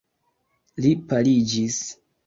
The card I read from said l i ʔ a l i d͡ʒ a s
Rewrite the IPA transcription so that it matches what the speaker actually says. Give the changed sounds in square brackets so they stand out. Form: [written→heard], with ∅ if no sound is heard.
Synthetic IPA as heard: l i [ʔ→p] a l i d͡ʒ [a→i] s